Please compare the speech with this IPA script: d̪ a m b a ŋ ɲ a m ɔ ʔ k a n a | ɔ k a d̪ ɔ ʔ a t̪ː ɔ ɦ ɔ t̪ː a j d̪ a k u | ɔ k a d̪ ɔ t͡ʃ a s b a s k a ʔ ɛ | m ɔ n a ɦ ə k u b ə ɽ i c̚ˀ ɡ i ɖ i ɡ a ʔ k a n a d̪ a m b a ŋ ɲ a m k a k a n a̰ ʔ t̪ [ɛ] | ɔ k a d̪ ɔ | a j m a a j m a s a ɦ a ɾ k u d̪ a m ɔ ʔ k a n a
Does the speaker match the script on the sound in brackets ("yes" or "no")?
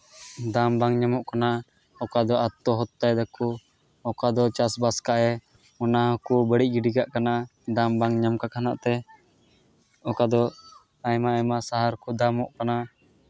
yes